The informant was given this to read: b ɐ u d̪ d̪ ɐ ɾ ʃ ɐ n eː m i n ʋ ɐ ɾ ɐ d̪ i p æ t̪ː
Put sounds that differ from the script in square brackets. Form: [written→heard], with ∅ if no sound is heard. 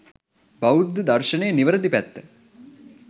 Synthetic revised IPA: b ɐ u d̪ d̪ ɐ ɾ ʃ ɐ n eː [m→n] i [n→∅] ʋ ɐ ɾ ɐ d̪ i p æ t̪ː